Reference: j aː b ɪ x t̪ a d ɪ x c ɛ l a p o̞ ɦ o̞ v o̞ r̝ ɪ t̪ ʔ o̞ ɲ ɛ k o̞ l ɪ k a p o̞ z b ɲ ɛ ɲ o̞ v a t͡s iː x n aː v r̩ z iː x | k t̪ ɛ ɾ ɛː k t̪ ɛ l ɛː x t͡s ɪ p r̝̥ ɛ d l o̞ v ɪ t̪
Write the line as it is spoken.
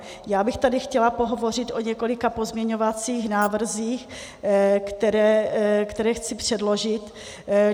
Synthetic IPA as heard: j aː b ɪ x t̪ a d ɪ x c ɛ l a p o̞ ɦ o̞ v o̞ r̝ ɪ t̪ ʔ o̞ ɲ ɛ k o̞ l ɪ k a p o̞ z m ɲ ɛ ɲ o̞ v a t͡s iː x n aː v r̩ z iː x | k t̪ ɛ ɾ ɛː k t̪ ɛ ɾ ɛː x t͡s ɪ p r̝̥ ɛ d l o̞ ʒ ɪ t̪